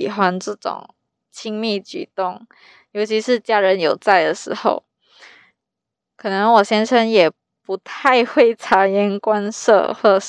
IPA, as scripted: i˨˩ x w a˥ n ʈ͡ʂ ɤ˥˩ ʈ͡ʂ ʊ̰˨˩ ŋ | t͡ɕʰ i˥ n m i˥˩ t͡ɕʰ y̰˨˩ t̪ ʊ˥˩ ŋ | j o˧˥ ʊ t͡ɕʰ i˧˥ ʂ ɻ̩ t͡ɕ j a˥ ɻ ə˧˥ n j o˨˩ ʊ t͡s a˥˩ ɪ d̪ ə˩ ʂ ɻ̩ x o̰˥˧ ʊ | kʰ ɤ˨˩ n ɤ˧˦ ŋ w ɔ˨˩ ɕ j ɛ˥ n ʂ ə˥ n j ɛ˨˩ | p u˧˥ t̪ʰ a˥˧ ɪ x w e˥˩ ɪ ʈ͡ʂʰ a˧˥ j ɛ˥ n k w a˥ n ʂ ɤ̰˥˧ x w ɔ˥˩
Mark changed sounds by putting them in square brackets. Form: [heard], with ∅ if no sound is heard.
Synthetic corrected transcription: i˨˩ x w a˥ n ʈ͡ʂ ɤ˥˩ ʈ͡ʂ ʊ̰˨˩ ŋ | t͡ɕʰ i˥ [ŋ] m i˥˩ [t͡ɕ] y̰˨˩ t̪ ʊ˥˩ ŋ | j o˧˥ ʊ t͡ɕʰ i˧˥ ʂ ɻ̩ t͡ɕ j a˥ ɻ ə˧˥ n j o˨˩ ʊ t͡s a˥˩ ɪ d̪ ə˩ ʂ ɻ̩ x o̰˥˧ ʊ | kʰ ɤ˨˩ n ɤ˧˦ ŋ w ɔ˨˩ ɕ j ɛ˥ n ʂ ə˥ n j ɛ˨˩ | p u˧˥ t̪ʰ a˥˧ ɪ x w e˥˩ ɪ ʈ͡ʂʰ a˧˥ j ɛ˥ n k w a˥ n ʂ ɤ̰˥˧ x w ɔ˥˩